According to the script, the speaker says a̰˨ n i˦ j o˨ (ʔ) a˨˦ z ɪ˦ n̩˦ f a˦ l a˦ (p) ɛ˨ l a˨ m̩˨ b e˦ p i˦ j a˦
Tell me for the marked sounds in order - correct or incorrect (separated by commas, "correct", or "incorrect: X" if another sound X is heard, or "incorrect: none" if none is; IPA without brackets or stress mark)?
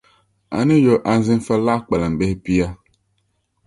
correct, incorrect: k͡p